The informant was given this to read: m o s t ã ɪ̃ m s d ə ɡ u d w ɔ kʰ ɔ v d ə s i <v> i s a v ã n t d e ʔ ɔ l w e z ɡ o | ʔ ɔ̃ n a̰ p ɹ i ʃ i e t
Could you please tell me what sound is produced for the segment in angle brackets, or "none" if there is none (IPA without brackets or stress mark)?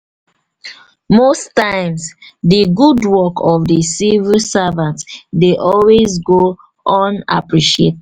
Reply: v